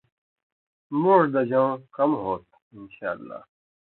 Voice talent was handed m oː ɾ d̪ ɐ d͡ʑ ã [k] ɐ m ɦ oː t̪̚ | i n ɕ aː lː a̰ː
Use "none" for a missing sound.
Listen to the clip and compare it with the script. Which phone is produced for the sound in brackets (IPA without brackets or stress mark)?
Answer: k